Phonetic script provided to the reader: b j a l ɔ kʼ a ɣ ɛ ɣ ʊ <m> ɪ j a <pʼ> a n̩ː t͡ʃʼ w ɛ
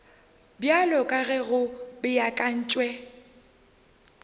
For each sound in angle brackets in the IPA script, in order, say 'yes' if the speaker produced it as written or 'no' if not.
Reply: no, no

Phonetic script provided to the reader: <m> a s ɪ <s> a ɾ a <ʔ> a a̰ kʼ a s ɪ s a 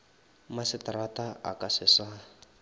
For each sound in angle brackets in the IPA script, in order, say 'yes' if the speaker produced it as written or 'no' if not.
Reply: yes, no, no

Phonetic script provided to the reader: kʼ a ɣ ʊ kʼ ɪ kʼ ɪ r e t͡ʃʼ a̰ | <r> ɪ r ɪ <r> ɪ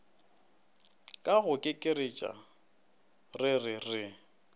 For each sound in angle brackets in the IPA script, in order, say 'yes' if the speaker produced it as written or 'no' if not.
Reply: yes, yes

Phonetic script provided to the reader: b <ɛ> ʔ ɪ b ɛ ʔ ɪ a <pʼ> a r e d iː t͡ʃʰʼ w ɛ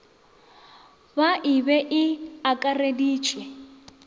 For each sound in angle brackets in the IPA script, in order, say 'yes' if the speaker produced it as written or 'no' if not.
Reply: no, no

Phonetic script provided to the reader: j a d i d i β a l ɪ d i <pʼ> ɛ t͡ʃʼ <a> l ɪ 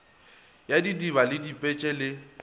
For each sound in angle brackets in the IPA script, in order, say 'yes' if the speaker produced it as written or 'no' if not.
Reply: yes, no

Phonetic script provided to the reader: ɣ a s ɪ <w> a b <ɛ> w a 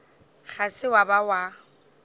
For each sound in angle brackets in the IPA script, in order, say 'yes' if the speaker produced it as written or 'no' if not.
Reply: yes, no

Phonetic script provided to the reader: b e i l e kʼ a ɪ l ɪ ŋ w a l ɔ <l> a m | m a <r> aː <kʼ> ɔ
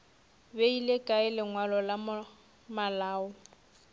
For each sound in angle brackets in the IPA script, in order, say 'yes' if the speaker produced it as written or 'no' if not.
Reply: yes, no, no

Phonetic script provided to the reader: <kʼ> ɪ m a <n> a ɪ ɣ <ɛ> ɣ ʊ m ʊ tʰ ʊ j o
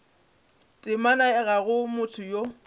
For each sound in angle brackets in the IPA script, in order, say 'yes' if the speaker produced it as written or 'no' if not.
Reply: no, yes, no

